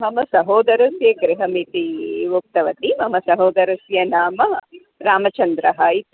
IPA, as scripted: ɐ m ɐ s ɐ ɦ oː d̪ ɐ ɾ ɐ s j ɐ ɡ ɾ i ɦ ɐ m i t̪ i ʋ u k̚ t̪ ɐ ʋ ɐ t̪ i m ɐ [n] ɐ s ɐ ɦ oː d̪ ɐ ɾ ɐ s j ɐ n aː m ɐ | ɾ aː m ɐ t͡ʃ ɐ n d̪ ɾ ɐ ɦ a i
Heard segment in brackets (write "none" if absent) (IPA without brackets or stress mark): m